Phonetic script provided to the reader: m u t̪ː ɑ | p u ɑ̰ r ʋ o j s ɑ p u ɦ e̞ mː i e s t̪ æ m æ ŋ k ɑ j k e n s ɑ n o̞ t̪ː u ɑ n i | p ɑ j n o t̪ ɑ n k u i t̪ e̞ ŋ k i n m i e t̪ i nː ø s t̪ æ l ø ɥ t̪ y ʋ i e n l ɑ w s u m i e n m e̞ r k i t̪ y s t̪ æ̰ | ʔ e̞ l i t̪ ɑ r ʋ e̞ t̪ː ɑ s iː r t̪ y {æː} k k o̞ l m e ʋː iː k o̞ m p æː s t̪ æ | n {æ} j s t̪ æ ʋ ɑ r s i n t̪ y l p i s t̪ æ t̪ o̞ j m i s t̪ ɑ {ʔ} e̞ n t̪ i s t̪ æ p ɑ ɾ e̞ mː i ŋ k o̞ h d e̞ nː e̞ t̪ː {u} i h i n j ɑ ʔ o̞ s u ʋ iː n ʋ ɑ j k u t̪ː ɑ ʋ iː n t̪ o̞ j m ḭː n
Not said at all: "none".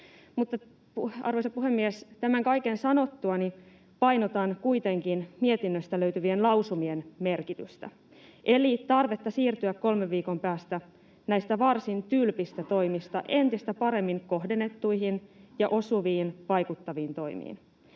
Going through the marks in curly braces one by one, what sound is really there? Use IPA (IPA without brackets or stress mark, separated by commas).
æ, æ, ʔ, u